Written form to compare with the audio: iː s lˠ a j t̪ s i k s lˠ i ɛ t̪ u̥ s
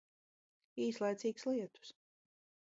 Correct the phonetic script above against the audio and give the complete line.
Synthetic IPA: iː s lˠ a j t̪ s iː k s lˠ i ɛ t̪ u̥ s